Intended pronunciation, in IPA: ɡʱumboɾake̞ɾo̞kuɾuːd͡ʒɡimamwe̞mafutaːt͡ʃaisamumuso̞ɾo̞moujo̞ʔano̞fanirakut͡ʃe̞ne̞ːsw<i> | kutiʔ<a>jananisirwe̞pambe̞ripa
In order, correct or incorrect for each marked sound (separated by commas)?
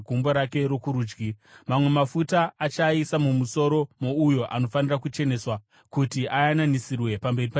incorrect, correct